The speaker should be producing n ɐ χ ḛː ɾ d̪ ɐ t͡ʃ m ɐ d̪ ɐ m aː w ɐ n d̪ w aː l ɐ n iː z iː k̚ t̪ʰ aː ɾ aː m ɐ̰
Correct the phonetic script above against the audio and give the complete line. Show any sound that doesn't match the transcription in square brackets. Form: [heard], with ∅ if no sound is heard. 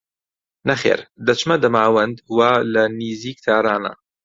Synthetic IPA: n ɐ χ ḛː ɾ d̪ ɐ t͡ʃ m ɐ d̪ ɐ m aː w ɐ n d̪ w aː l ɐ n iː z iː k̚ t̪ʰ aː ɾ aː [n] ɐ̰